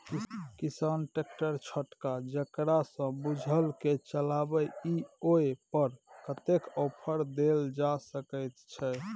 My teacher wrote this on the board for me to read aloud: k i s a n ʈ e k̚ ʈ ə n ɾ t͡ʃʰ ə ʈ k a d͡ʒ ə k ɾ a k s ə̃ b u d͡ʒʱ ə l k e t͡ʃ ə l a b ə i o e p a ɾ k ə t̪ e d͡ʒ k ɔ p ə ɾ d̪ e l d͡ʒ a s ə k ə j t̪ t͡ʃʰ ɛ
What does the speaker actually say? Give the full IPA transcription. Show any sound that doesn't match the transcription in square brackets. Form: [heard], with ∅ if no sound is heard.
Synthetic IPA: k i s a n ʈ e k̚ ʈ ə [∅] ɾ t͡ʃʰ ə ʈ k a d͡ʒ ə k ɾ a [∅] s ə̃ b u d͡ʒʱ ə l k e t͡ʃ ə l a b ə i o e p [ə] ɾ k ə t̪ e [∅] k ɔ [pʰ] ə ɾ d̪ e l d͡ʒ a s ə k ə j t̪ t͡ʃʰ ɛ